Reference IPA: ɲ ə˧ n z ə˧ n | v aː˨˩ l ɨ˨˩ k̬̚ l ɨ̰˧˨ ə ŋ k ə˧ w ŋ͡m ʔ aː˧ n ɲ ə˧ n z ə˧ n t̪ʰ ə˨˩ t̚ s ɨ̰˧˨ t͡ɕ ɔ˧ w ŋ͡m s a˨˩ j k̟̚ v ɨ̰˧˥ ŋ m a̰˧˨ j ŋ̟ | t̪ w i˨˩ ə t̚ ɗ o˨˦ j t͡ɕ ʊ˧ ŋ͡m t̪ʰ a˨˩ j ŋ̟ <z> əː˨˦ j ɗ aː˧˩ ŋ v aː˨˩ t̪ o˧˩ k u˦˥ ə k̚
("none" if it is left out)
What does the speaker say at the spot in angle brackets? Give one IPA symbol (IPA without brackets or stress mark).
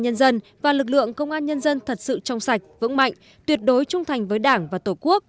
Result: v